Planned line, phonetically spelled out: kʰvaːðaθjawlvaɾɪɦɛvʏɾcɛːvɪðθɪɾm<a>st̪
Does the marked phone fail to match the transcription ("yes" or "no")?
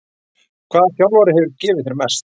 yes